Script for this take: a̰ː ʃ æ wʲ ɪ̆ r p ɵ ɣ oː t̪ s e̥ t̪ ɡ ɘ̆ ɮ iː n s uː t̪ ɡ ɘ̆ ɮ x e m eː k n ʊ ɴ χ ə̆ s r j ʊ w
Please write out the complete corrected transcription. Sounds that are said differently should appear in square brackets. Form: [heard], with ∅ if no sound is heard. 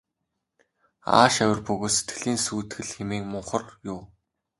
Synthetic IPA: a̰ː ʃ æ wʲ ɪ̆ r p ɵ ɣ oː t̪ s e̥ t̪ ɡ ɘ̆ ɮ iː n s uː t̪ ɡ ɘ̆ ɮ x e m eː k [m] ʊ ɴ χ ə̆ [∅] r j ʊ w